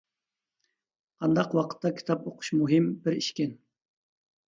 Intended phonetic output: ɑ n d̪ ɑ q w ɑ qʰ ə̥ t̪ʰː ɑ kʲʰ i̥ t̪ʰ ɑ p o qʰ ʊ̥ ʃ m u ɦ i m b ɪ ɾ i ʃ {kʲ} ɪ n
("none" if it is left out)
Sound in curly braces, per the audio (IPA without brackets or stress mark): kʲ